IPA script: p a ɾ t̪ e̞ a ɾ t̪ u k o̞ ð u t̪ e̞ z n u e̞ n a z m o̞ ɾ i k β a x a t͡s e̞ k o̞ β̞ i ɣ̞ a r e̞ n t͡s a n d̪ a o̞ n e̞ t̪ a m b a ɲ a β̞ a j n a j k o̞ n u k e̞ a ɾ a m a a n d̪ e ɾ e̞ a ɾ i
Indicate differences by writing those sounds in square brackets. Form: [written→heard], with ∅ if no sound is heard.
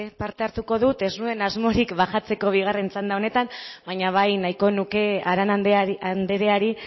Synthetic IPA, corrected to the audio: p a ɾ t̪ e̞ a ɾ t̪ u k o̞ ð u t̪ e̞ z n u e̞ n a z m o̞ ɾ i k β a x a t͡s e̞ k o̞ β̞ i ɣ̞ a r e̞ n t͡s a n d̪ a o̞ n e̞ t̪ a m b a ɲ a β̞ a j n a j k o̞ n u k e̞ a ɾ a [m→n] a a n d̪ e ɾ e̞ a ɾ i